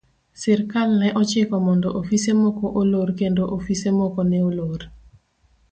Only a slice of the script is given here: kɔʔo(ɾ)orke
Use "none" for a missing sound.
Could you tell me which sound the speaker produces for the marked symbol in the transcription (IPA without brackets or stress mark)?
l